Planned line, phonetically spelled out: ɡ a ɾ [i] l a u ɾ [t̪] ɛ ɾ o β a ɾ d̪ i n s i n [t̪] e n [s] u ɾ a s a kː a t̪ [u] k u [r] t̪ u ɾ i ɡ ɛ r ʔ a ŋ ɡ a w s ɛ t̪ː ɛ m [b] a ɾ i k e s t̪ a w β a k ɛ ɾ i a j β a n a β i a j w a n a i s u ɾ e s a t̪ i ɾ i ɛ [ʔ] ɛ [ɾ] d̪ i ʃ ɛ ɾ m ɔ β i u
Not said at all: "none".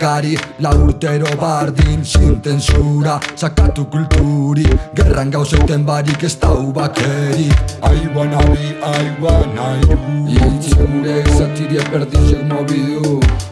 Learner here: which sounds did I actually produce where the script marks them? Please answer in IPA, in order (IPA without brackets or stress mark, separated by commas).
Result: i, t̪, t̪, s, u, l, b, p, ɾ